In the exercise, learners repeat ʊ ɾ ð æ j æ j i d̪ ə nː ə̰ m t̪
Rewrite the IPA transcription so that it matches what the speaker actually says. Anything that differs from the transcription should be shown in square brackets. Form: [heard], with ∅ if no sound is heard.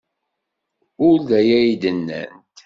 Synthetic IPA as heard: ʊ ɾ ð æ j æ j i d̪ ə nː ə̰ [n] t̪